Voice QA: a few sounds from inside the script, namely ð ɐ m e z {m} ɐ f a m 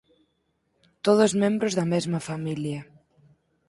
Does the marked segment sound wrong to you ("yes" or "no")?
no